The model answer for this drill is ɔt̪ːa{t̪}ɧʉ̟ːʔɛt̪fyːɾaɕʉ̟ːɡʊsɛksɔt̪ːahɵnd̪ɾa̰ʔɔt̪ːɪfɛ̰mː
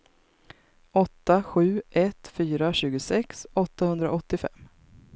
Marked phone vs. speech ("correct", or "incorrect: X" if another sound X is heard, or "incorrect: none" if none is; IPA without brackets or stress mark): incorrect: none